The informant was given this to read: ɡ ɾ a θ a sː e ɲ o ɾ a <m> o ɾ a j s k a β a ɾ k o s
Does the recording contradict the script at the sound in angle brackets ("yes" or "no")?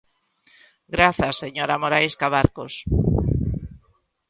no